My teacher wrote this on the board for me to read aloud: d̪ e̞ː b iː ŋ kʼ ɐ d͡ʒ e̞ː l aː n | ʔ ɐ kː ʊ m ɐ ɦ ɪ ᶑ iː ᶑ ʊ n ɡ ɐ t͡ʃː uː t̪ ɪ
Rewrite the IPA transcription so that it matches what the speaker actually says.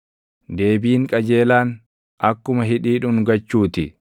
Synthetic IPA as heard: d̪ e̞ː b iː ŋ kʼ ɐ d͡ʒ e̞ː l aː n | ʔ ɐ kː ʊ m ɐ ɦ ɪ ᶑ iː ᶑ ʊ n ɡ ɐ t͡ʃː uː t̪ ɪ